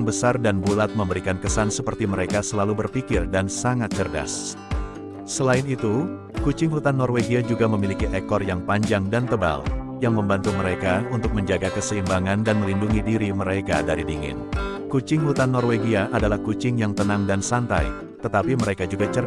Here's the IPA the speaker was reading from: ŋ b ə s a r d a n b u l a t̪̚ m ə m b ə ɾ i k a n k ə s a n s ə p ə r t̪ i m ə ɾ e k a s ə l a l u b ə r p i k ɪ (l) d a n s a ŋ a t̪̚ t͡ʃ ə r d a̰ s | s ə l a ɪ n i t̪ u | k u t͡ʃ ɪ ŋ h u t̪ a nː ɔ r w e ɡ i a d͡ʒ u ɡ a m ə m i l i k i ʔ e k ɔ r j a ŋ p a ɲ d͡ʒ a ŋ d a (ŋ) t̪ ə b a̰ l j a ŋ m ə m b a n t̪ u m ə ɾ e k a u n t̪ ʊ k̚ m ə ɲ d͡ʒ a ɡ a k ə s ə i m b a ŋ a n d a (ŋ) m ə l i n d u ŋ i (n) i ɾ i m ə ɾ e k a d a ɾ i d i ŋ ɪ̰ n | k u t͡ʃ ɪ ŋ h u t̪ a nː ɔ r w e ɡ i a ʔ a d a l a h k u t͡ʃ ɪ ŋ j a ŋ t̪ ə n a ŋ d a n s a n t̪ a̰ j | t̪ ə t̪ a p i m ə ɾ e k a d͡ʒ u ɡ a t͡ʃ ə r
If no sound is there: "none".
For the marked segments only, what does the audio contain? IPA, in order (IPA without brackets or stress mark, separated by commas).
r, n, n, d